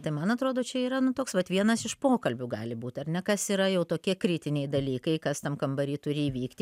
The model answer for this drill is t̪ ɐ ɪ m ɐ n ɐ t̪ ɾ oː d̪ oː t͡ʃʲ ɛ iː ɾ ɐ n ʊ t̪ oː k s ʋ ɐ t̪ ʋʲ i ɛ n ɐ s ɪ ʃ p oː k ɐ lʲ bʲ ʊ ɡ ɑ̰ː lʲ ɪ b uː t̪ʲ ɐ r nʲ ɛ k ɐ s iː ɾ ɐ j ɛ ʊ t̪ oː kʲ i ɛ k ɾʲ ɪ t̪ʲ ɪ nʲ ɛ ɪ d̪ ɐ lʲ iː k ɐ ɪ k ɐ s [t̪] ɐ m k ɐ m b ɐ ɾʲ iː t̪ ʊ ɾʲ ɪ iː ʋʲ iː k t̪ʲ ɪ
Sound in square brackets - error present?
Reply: no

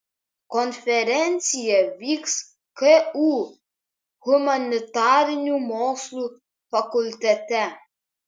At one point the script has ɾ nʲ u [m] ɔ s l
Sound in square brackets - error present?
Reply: no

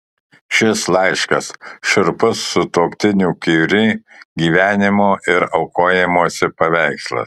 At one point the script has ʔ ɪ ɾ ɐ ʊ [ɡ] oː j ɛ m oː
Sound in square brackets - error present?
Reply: yes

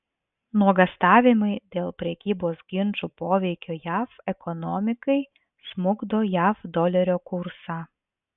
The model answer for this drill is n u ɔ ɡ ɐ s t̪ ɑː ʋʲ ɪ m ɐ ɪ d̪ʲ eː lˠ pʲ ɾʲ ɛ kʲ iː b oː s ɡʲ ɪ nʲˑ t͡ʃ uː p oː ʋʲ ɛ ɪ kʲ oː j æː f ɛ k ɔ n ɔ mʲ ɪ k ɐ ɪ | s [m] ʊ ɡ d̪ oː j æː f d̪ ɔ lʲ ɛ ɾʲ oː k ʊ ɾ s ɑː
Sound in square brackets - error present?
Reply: no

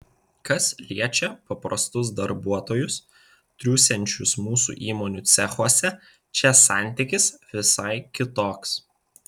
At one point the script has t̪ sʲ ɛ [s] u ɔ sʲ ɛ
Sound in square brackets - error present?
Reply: yes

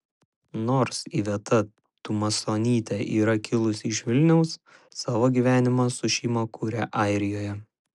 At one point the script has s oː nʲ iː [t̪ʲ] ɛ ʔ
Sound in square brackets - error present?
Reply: no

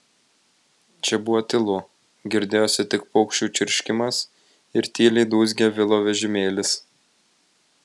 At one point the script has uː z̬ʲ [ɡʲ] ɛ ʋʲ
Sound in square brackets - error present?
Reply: no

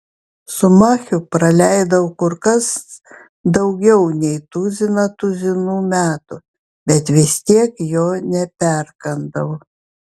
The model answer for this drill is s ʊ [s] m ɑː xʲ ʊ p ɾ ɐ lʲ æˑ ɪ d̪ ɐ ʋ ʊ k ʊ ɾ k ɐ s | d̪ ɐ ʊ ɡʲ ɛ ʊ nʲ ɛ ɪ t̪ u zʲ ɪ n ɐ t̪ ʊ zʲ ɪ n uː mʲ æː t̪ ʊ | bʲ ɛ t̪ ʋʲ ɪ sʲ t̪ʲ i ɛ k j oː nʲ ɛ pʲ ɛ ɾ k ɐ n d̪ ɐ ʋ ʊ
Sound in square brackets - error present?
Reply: yes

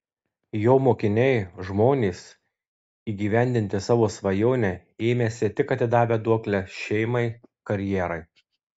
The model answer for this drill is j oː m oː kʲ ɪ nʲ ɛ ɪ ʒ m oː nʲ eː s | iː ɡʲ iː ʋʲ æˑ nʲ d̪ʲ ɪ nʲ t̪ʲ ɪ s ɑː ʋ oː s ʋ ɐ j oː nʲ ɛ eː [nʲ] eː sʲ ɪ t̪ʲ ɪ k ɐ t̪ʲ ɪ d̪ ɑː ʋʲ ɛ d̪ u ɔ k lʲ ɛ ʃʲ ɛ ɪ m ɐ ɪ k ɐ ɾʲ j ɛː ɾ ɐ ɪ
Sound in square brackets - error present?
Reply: yes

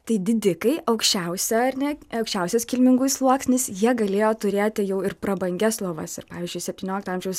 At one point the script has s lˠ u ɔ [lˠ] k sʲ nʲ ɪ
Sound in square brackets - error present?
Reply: yes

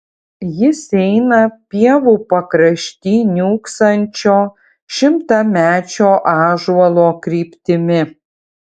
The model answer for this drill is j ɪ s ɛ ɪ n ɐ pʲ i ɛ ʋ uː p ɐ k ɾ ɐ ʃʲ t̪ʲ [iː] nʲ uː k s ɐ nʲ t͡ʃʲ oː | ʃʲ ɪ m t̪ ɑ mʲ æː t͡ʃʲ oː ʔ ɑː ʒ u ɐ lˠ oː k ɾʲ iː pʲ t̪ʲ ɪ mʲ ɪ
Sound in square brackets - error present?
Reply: no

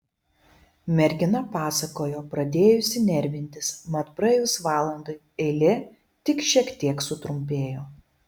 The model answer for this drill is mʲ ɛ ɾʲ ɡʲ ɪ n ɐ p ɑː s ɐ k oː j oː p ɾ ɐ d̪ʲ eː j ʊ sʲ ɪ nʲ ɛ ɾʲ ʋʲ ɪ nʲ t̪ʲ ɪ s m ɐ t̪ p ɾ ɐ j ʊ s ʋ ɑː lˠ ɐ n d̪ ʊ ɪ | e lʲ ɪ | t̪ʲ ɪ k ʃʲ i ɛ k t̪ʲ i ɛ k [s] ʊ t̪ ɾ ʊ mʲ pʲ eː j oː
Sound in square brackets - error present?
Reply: no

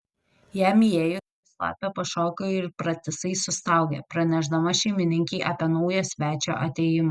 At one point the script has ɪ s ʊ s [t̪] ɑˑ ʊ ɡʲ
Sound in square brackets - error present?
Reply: no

